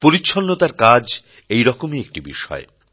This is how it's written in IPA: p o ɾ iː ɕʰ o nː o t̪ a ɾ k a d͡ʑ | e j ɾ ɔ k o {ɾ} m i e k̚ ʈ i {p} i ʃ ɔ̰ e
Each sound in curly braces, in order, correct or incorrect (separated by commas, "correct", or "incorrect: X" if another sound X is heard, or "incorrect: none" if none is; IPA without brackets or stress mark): incorrect: none, incorrect: b